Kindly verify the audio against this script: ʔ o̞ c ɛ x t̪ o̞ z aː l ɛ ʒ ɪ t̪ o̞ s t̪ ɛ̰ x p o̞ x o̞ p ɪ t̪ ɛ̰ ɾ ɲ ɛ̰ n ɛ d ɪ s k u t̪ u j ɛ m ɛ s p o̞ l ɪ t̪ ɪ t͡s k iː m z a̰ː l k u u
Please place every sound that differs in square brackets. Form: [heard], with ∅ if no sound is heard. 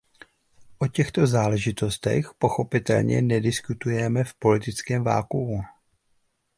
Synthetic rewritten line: ʔ o̞ c ɛ x t̪ o̞ z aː l ɛ ʒ ɪ t̪ o̞ s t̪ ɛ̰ x p o̞ x o̞ p ɪ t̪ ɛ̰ [l] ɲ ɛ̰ n ɛ d ɪ s k u t̪ u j ɛ m ɛ [f] p o̞ l ɪ t̪ ɪ t͡s k [ɛː] m [v] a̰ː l k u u